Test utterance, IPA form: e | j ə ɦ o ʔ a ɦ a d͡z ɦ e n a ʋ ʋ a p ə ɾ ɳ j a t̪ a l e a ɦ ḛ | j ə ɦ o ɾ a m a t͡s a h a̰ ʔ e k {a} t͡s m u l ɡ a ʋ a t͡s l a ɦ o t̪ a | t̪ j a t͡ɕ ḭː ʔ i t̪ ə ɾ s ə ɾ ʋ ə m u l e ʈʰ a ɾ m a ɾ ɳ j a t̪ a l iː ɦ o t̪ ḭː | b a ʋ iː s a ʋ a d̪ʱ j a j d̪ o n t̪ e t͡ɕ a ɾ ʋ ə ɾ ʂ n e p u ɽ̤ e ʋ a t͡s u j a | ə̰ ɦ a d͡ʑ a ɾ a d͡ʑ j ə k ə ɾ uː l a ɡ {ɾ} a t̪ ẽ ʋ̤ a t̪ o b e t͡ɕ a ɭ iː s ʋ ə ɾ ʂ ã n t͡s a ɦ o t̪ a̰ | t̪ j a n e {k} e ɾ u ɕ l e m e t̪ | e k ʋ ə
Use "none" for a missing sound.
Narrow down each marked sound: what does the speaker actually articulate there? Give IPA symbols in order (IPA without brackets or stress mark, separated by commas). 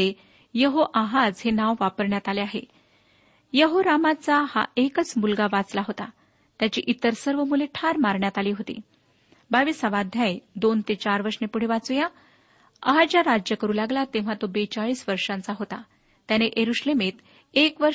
ə, l, ʔ